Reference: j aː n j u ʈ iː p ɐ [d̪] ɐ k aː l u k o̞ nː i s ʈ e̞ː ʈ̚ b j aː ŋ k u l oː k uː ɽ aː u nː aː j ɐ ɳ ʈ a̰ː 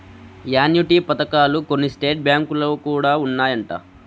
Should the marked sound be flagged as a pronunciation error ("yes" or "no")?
yes